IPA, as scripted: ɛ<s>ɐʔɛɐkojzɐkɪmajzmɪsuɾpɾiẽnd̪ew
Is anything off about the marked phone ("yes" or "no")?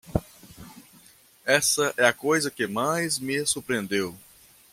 no